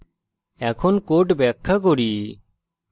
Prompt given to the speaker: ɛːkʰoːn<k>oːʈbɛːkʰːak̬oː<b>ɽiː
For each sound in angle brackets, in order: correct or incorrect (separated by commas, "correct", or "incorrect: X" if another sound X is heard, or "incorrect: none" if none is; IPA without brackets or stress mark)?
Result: correct, incorrect: none